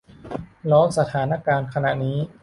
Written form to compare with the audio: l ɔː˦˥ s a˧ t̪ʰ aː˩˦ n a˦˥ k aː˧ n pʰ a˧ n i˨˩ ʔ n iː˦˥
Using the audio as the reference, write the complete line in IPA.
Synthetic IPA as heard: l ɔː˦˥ s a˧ t̪ʰ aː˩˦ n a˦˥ k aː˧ n kʰ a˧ n a˨˩ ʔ n iː˦˥